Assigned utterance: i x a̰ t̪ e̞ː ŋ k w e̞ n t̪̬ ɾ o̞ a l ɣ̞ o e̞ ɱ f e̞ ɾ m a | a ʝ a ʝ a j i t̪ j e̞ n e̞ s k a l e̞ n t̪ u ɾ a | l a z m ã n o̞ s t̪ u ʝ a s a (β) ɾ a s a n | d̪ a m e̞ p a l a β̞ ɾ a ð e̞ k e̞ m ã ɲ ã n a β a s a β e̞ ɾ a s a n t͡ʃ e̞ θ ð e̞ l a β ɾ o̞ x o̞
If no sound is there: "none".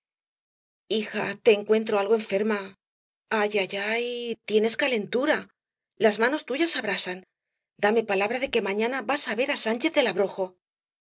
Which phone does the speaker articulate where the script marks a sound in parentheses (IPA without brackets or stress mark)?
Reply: β